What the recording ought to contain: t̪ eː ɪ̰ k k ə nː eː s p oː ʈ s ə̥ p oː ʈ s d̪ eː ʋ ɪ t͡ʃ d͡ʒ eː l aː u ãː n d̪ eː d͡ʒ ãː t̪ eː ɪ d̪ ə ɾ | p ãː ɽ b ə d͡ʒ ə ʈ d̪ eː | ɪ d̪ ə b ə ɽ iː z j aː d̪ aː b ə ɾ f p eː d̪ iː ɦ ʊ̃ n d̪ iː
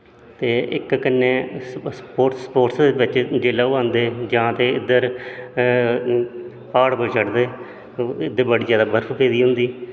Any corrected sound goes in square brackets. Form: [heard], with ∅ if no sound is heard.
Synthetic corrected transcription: t̪ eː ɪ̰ k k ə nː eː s p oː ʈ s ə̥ p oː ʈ s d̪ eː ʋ ɪ t͡ʃ d͡ʒ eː l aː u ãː n d̪ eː d͡ʒ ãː t̪ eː ɪ d̪ ə ɾ | p [aː] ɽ b ə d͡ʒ ə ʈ d̪ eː | ɪ d̪ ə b ə ɽ iː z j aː d̪ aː b ə ɾ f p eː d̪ iː ɦ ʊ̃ n d̪ iː